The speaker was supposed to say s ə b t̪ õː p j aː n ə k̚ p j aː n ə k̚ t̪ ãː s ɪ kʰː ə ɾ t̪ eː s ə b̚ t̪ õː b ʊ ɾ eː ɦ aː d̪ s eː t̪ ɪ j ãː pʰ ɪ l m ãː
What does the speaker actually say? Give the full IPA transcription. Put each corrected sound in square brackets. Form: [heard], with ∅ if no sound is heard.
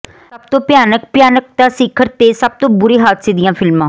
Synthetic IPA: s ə b t̪ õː p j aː n ə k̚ p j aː n ə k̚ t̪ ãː s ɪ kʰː ə ɾ t̪ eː s ə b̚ t̪ õː b ʊ ɾ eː ɦ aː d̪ s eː [d̪] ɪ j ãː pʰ ɪ l m ãː